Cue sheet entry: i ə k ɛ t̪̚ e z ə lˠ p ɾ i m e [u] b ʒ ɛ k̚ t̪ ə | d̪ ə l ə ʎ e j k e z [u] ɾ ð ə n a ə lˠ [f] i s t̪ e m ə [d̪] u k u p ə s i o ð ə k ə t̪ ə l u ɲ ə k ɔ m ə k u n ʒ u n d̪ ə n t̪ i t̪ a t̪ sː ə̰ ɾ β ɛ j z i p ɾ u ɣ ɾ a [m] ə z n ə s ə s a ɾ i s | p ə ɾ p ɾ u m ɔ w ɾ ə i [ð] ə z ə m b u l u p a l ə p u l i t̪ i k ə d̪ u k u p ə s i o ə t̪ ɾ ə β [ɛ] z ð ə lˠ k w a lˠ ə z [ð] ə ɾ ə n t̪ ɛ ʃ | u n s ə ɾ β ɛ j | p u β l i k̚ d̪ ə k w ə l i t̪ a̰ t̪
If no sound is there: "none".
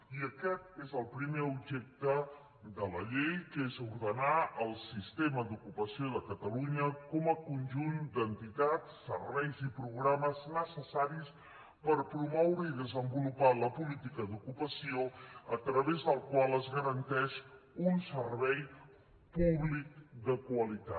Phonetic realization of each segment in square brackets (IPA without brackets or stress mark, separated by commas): u, u, s, d̪, m, ð, e, ɣ